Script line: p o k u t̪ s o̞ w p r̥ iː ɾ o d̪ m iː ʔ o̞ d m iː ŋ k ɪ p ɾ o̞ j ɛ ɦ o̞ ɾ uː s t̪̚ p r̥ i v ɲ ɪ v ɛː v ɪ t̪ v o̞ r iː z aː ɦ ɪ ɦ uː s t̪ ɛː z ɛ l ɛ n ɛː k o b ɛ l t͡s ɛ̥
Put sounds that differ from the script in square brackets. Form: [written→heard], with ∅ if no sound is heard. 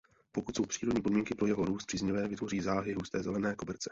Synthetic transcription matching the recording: p o k u t̪ s o̞ w p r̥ iː ɾ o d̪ [m→ɲ] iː [ʔ→p] o̞ d m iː ŋ k ɪ p ɾ o̞ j ɛ ɦ o̞ ɾ uː s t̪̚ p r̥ i [v→z] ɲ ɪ v ɛː v ɪ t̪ v o̞ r iː z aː ɦ ɪ ɦ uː s t̪ ɛː z ɛ l ɛ n ɛː k o b ɛ [l→ɾ] t͡s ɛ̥